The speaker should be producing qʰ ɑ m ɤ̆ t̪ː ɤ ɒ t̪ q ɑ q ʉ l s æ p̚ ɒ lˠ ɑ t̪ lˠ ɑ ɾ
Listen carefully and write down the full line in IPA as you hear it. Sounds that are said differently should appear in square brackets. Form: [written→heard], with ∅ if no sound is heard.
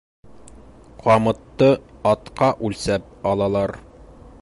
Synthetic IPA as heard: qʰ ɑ m ɤ̆ t̪ː ɤ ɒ t̪ q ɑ [q→ʔ] ʉ l s æ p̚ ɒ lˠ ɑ [t̪→∅] lˠ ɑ ɾ

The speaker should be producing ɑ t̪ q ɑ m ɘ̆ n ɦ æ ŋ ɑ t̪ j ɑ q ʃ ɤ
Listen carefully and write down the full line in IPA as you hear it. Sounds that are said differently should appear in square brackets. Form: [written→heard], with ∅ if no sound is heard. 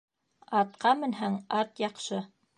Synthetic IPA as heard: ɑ t̪ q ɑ m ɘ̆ n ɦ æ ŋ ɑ t̪ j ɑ q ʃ ɤ

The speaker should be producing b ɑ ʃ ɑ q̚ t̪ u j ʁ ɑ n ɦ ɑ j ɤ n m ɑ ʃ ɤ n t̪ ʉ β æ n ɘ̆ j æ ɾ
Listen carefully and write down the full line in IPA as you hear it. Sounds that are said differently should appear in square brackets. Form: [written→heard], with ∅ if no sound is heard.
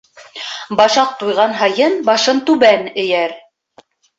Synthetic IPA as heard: b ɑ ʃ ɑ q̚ t̪ u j ʁ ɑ n ɦ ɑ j ɤ n [m→b] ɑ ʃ ɤ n t̪ ʉ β æ n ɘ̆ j æ ɾ

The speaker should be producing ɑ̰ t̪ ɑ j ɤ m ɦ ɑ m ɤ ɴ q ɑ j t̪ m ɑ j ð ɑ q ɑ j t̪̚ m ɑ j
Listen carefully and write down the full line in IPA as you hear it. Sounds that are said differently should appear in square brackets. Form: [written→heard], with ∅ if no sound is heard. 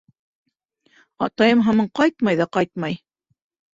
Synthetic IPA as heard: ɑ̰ t̪ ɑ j ɤ m ɦ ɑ m ɤ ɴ q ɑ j t̪ m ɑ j ð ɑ q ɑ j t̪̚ m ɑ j

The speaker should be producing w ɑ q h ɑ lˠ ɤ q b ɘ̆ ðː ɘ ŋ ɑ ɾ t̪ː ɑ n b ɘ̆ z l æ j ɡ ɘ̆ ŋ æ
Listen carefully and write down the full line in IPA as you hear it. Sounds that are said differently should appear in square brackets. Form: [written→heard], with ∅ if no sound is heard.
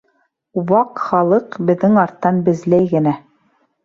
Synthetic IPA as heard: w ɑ q [h→χ] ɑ lˠ ɤ q b ɘ̆ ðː ɘ ŋ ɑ ɾ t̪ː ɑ n b ɘ̆ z l æ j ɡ ɘ̆ [ŋ→n] æ

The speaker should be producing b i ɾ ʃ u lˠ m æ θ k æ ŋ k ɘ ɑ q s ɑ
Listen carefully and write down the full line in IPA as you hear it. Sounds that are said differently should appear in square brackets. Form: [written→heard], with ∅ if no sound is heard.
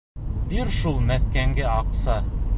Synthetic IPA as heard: b i ɾ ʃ u lˠ m æ θ k æ ŋ [k→ɡ] ɘ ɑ q s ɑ

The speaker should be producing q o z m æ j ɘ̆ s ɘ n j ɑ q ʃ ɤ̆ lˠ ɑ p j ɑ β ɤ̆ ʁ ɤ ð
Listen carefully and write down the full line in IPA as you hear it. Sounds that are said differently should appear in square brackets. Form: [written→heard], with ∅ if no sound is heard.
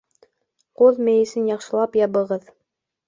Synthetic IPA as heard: q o [z→ð] m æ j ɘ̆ s ɘ n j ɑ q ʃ ɤ̆ lˠ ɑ p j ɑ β ɤ̆ ʁ ɤ ð

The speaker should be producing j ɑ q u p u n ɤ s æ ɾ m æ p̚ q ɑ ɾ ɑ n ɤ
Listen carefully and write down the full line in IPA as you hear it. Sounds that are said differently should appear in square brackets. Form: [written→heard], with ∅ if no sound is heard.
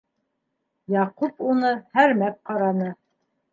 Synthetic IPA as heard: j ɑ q u p u n ɤ [s→h] æ ɾ m æ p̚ q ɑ ɾ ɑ n ɤ

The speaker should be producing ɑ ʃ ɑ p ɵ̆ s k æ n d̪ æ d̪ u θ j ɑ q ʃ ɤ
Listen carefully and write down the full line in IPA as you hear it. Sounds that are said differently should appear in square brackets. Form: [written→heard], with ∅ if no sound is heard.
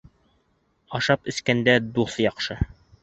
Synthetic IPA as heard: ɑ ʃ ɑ p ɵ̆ s k æ n d̪ æ d̪ u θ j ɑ q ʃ ɤ

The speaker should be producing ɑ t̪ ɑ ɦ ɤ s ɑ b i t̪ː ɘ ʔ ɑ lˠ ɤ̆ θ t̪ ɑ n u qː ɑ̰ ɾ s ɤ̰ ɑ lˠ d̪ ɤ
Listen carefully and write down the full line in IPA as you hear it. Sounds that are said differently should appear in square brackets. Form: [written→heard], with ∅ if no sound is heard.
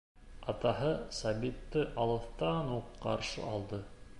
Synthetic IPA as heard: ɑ t̪ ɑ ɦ ɤ s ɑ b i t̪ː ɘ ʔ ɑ lˠ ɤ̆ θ t̪ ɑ n u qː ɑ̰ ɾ [s→ʃ] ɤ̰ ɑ lˠ d̪ ɤ

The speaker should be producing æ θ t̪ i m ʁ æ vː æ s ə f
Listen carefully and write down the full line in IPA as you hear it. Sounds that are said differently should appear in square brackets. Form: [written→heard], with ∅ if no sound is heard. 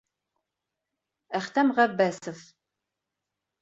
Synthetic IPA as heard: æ [θ→χ] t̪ [i→æ] m ʁ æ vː æ s ə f

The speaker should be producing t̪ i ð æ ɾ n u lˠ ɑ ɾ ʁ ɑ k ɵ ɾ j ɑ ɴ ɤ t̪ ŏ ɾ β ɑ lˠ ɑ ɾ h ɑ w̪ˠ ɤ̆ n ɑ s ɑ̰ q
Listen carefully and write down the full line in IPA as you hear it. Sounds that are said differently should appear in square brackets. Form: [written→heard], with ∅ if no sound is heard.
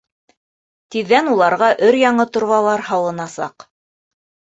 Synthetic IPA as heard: t̪ i [ð→ðː] æ [ɾ→∅] n u lˠ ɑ ɾ ʁ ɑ [k→ʔ] ɵ ɾ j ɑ ɴ ɤ t̪ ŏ ɾ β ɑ lˠ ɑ ɾ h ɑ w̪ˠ ɤ̆ n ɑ s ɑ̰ q

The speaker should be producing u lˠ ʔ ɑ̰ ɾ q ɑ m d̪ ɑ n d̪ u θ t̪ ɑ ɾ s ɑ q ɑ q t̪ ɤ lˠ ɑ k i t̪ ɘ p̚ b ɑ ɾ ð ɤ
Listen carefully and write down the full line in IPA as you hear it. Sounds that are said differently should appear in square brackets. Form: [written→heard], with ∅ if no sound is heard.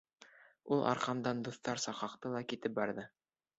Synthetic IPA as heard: u lˠ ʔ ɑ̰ ɾ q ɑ m d̪ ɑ n d̪ u θ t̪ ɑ ɾ s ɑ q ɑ q t̪ ɤ lˠ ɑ k i t̪ ɘ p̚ b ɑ ɾ ð ɤ

